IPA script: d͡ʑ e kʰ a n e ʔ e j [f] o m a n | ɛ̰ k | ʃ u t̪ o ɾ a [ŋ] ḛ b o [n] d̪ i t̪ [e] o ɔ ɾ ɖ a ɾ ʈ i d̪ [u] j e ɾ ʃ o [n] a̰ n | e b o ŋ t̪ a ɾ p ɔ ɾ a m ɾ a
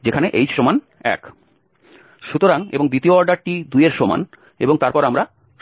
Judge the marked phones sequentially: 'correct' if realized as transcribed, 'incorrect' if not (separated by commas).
incorrect, correct, incorrect, incorrect, correct, incorrect